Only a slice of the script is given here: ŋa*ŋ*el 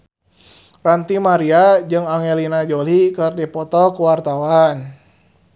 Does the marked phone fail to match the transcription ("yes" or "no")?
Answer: no